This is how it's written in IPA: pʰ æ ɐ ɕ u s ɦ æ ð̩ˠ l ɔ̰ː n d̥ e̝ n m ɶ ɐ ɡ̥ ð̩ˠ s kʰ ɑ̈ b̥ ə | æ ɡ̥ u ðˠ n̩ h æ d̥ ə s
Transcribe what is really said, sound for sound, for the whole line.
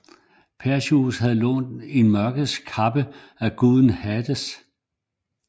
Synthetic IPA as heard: pʰ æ ɐ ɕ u s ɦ æ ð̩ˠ l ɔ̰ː n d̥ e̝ n m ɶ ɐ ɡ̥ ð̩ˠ s kʰ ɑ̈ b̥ ə | æ ɡ̥ u ðˠ n̩ h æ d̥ ə s